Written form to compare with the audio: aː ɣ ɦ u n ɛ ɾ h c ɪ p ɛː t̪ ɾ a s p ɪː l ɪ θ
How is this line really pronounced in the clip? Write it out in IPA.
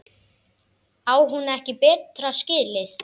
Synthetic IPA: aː w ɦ u n ɛ h c ɪ p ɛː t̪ ɾ a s c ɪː l ɪ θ